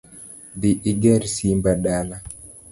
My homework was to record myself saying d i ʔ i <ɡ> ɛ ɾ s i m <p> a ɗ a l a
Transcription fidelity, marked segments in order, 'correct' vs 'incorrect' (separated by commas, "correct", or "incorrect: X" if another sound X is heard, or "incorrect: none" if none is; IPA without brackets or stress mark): correct, incorrect: b